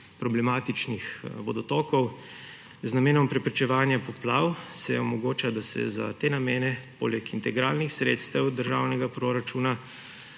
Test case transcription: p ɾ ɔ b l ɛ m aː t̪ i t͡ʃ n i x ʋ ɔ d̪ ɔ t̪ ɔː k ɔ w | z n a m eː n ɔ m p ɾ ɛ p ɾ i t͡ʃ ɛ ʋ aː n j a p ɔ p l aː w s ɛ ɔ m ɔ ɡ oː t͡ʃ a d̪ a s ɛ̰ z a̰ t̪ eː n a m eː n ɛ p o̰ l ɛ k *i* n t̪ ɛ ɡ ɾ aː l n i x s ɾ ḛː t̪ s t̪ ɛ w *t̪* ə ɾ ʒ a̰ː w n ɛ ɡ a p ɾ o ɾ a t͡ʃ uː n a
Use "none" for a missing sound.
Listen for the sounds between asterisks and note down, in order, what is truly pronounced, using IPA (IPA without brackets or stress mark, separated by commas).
i, d̪